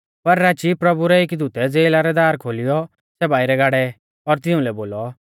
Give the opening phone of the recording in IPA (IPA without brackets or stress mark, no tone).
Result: p